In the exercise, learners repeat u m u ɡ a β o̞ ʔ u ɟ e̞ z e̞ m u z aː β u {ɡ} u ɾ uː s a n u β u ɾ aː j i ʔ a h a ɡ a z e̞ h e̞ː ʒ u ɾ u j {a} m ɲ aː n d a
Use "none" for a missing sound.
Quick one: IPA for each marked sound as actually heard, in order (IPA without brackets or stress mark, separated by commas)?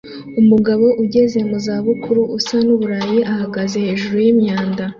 k, i